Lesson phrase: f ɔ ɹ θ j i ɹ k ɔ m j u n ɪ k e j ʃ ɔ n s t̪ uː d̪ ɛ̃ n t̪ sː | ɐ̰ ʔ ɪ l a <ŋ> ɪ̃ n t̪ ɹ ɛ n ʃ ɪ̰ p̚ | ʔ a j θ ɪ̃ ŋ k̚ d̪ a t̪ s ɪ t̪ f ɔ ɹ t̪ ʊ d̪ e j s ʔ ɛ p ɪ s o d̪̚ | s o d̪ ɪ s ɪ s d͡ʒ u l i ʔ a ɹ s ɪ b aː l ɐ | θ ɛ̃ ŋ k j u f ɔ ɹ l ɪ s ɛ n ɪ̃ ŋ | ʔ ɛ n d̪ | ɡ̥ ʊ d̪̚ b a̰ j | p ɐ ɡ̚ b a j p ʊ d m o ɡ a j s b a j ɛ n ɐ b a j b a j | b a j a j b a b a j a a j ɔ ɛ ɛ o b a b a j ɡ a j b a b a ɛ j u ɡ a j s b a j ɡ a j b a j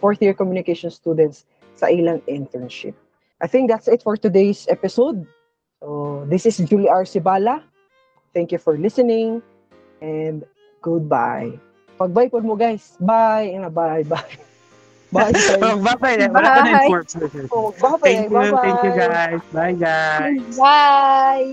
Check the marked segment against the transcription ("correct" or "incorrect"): correct